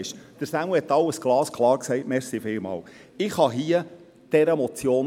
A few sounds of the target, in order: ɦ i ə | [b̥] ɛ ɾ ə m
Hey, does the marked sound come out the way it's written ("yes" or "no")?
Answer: no